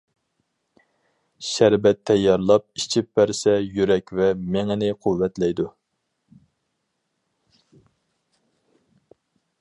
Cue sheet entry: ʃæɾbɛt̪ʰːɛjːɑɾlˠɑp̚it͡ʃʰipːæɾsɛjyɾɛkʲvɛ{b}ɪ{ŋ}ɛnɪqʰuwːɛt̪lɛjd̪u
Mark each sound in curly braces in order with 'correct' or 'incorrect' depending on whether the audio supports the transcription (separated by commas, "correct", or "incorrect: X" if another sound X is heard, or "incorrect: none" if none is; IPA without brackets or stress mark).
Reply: incorrect: m, correct